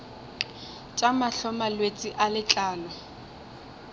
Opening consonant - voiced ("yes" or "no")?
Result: no